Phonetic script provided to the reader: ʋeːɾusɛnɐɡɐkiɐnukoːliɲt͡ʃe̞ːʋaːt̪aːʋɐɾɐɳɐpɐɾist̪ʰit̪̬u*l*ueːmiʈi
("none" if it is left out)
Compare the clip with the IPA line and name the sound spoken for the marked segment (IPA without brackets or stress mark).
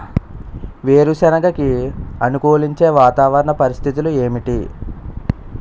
l